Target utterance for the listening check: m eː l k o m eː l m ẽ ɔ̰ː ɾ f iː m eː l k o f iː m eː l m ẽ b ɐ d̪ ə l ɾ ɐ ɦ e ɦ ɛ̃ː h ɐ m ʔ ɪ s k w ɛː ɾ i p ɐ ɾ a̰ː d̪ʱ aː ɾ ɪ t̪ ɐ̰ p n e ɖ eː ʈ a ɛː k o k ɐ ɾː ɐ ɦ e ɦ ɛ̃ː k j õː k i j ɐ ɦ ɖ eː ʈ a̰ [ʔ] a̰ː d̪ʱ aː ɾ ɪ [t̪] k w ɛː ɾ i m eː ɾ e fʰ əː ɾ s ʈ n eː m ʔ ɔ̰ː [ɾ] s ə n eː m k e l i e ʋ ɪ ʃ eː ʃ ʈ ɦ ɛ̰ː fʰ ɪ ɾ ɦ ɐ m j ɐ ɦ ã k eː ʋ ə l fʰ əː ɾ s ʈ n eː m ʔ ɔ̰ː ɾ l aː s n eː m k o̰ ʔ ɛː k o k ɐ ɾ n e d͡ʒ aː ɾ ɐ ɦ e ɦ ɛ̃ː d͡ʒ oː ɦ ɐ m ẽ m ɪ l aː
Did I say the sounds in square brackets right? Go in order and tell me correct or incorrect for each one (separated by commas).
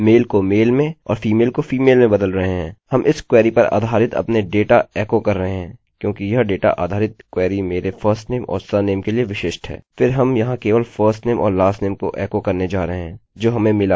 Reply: correct, correct, correct